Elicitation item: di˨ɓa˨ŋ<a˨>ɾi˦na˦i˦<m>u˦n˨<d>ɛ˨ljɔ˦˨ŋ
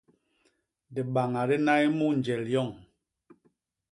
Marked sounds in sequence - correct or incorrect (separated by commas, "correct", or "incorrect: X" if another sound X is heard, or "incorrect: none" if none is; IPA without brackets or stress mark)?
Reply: correct, correct, incorrect: d͡ʒ